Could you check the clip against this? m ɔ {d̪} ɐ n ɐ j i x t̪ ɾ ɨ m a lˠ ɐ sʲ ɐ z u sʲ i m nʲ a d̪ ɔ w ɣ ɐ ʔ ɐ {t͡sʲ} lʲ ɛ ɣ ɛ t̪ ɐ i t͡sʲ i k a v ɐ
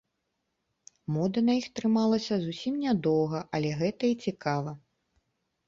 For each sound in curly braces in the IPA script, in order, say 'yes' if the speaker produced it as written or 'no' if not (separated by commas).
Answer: yes, no